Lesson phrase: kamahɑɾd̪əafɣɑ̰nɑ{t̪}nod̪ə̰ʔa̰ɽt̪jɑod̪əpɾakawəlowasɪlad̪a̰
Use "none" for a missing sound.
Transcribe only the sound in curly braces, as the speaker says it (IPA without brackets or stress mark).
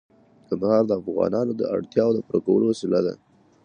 none